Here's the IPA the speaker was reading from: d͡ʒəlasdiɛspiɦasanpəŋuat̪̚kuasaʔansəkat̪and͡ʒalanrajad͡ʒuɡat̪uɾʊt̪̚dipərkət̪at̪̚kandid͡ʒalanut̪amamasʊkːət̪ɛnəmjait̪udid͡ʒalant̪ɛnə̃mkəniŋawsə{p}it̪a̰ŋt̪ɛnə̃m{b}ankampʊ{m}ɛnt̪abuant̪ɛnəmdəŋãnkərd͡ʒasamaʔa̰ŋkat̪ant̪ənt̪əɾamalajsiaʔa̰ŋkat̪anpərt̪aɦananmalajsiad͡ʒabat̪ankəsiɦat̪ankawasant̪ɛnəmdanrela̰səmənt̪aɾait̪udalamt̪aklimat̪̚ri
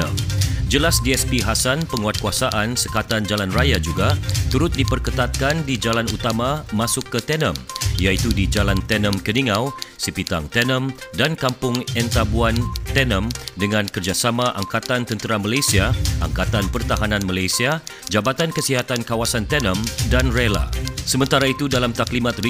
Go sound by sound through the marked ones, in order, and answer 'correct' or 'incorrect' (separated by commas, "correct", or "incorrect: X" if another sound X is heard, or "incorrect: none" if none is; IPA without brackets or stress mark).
correct, incorrect: d, incorrect: ŋ